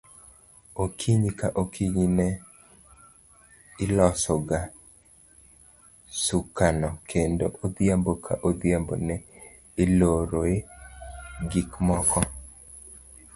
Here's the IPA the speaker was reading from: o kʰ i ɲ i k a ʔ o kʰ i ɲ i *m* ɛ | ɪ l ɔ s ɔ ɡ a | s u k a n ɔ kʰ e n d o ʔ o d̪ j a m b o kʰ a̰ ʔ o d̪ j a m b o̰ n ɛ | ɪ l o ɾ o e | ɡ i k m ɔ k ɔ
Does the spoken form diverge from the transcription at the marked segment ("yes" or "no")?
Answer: yes